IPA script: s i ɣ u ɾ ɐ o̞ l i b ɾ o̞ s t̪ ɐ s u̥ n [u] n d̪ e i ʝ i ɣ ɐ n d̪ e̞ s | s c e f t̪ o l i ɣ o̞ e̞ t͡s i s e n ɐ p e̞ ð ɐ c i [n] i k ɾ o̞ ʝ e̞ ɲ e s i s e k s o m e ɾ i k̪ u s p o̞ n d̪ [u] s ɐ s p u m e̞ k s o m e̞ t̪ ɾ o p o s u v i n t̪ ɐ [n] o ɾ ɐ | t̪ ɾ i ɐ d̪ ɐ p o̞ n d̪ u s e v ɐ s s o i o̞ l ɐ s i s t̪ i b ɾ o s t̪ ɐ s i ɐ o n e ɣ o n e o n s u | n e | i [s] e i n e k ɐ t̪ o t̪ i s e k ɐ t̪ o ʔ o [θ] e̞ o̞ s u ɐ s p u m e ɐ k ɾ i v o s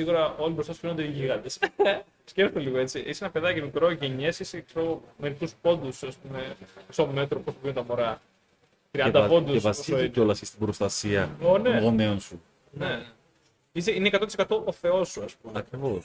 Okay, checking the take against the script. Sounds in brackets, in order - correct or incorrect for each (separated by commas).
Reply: incorrect, incorrect, correct, incorrect, correct, correct